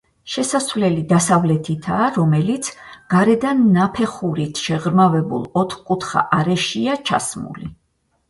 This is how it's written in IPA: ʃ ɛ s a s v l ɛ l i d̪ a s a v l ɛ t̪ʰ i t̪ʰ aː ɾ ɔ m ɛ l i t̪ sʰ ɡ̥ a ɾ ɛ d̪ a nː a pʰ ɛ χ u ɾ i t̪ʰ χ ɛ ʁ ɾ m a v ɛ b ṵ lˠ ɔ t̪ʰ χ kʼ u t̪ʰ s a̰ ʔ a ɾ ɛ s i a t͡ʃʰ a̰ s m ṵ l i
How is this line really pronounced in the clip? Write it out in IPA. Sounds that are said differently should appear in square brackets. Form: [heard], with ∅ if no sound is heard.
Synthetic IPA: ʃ ɛ s a s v l ɛ l i d̪ a s a v l ɛ t̪ʰ i t̪ʰ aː ɾ ɔ m ɛ l i t̪ sʰ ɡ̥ a ɾ ɛ d̪ a nː a pʰ ɛ χ u ɾ i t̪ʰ [ʃ] ɛ ʁ ɾ m a v ɛ b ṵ lˠ ɔ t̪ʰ χ kʼ u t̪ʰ [χ] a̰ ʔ a ɾ ɛ [ʃ] i a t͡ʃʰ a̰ s m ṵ l i